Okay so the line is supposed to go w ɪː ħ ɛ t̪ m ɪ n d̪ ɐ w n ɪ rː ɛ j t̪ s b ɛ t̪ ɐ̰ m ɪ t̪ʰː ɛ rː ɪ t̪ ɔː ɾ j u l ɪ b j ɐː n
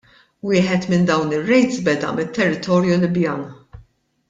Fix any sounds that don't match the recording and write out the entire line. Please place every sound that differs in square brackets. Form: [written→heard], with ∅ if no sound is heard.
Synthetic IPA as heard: w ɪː ħ ɛ t̪ m ɪ n d̪ ɐ w n ɪ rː ɛ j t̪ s b ɛ [t̪→d̪] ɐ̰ m ɪ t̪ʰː ɛ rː ɪ t̪ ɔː ɾ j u l ɪ b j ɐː n